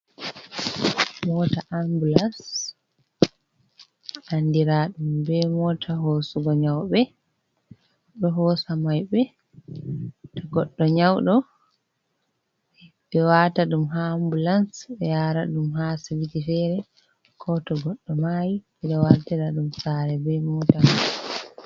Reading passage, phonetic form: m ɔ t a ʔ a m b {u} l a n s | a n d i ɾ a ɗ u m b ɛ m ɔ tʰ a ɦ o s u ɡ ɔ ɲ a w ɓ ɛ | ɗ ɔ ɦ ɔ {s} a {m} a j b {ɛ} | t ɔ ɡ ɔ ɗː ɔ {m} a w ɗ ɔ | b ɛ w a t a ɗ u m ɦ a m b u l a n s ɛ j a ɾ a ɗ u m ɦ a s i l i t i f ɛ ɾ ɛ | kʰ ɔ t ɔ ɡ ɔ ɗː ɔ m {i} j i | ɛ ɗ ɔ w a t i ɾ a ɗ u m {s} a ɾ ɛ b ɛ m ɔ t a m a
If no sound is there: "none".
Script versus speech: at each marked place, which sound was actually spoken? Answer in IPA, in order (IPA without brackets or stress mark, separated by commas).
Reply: u, s, m, ɛ, ɲ, a, s